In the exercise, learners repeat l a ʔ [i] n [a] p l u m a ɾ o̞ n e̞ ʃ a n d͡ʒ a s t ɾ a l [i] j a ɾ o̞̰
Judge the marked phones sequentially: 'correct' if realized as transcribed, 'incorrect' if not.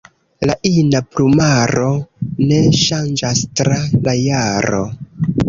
correct, correct, incorrect: a

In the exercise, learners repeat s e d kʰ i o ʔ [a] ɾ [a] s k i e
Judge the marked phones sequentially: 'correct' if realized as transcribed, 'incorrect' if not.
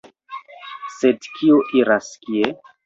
incorrect: i, correct

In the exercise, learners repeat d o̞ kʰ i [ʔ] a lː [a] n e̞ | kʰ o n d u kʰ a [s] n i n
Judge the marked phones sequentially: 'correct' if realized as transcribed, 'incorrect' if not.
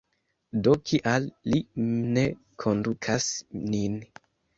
correct, incorrect: i, correct

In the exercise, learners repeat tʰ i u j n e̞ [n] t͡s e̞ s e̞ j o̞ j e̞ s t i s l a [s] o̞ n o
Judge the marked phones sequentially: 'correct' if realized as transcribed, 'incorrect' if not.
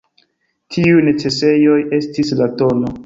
incorrect: none, incorrect: t

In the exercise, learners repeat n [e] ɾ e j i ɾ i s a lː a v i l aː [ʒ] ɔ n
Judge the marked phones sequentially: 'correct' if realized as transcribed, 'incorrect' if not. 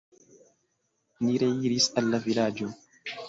incorrect: i, incorrect: d͡ʒ

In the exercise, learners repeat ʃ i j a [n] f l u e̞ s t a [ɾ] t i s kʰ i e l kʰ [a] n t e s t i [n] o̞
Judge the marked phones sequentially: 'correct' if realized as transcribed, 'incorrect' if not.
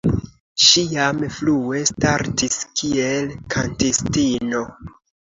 incorrect: m, correct, correct, correct

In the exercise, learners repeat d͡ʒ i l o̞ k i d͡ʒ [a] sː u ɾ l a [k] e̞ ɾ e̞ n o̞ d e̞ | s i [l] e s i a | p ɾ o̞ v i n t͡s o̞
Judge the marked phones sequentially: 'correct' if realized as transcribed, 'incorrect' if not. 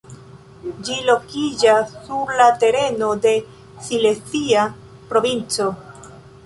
correct, incorrect: t, correct

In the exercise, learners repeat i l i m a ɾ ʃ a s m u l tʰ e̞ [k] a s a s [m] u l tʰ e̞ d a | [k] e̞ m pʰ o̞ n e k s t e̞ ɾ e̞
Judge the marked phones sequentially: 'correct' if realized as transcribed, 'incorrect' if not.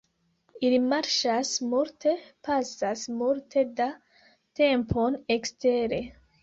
incorrect: p, correct, incorrect: t

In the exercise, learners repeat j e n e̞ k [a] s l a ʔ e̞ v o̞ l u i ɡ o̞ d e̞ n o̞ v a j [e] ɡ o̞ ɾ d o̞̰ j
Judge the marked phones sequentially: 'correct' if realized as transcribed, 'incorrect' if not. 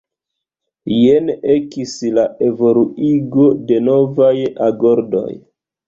incorrect: i, incorrect: a

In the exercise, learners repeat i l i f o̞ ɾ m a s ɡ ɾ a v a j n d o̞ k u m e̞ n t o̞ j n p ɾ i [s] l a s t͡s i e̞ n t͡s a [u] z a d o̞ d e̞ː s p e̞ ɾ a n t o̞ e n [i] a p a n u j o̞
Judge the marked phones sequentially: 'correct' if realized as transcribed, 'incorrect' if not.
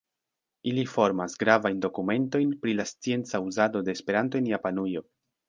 incorrect: none, correct, incorrect: j

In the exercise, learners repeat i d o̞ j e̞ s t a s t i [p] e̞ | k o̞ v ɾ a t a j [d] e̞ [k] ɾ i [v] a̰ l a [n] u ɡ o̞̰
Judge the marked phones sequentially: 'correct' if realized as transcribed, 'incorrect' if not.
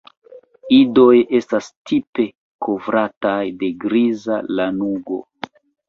correct, correct, incorrect: ɡ, incorrect: z, correct

